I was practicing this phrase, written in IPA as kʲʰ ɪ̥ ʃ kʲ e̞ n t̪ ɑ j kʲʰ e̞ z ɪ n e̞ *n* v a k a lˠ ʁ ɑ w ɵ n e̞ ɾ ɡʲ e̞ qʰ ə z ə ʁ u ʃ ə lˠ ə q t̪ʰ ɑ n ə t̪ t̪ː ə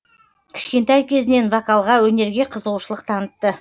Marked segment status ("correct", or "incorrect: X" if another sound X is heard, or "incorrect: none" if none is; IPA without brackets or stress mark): correct